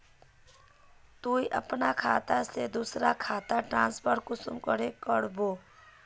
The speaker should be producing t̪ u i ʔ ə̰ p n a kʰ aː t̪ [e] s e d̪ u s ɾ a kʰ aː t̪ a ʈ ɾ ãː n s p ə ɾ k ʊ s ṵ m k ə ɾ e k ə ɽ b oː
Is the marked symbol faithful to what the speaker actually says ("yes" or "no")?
no